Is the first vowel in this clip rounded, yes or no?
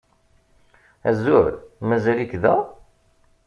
no